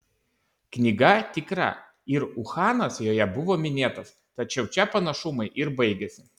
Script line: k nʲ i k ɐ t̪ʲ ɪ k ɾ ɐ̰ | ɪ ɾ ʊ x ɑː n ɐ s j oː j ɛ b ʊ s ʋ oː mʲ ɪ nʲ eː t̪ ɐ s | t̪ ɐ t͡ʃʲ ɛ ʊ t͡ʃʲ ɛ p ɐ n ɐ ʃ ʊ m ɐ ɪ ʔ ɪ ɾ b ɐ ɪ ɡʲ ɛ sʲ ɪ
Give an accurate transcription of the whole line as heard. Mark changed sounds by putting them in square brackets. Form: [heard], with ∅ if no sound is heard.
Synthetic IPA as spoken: k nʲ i [ɡ] ɐ t̪ʲ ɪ k ɾ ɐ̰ | ɪ ɾ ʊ x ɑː n ɐ s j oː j ɛ b ʊ [∅] ʋ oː mʲ ɪ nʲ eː t̪ ɐ s | t̪ ɐ t͡ʃʲ ɛ ʊ t͡ʃʲ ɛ p ɐ n ɐ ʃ ʊ m ɐ ɪ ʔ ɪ ɾ b ɐ ɪ ɡʲ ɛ sʲ ɪ